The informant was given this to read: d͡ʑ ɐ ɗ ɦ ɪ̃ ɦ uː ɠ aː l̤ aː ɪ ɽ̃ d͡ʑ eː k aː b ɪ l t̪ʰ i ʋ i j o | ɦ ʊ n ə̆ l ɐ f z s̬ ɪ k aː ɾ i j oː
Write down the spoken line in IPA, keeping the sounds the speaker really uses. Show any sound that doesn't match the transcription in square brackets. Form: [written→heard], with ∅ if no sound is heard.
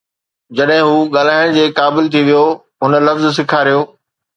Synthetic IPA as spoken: d͡ʑ ɐ ɗ ɦ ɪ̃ ɦ uː ɠ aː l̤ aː ɪ ɽ̃ d͡ʑ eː k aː b ɪ l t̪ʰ i ʋ i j o | ɦ ʊ n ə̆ l ɐ f z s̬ ɪ [k→kʰ] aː ɾ i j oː